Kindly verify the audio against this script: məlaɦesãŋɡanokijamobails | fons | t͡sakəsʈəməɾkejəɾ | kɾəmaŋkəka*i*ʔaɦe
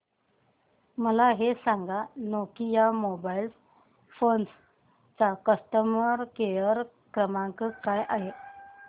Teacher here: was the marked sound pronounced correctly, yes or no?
no